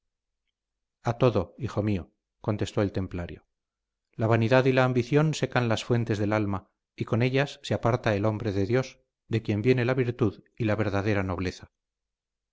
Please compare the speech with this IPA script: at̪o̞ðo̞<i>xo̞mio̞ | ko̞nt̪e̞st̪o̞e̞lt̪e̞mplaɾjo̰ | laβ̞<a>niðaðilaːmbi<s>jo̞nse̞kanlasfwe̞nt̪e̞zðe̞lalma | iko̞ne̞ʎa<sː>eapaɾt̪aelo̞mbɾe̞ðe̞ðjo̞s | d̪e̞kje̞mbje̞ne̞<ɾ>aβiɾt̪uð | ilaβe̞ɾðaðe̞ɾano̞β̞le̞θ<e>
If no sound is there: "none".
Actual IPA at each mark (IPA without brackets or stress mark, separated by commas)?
i, a, θ, sː, l, a